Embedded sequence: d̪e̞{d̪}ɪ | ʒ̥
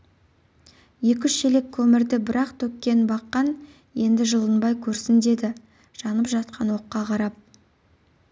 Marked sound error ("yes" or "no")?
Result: no